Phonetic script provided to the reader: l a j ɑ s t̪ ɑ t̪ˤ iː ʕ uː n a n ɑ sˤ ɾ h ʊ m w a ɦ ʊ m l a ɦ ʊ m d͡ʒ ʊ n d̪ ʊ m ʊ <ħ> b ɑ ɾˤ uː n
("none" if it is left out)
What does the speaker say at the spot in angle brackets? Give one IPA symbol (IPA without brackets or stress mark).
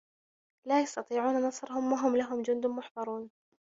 ħ